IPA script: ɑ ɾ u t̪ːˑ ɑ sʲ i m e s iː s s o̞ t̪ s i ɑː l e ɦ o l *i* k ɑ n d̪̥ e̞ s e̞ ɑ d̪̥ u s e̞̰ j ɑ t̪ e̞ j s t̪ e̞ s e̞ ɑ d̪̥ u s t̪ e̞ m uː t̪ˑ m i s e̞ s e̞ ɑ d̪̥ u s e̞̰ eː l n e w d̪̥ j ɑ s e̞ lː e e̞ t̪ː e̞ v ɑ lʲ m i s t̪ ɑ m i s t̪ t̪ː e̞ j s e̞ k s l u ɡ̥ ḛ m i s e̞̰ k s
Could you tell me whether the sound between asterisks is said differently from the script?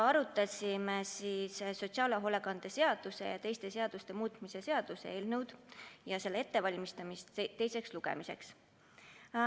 yes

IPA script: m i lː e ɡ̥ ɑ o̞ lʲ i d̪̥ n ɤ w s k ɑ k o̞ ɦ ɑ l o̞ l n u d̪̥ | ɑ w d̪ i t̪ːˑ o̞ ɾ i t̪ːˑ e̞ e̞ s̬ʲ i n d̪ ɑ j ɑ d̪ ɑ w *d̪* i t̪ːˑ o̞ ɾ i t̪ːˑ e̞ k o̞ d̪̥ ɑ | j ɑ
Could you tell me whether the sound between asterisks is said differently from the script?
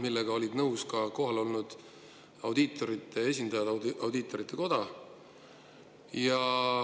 no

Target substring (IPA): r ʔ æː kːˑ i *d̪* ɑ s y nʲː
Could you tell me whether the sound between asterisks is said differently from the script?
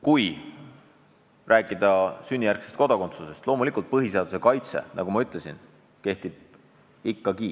no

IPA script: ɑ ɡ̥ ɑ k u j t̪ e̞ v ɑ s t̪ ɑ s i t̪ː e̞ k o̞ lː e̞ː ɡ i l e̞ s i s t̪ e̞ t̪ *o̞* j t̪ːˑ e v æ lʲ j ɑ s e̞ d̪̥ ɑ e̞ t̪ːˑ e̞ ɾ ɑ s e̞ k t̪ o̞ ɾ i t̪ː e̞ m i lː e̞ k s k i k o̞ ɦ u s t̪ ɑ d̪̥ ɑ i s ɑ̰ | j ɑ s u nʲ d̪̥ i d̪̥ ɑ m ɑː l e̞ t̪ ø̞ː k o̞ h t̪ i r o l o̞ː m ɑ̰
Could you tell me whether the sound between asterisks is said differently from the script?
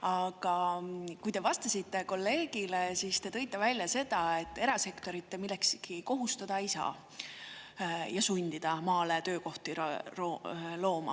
yes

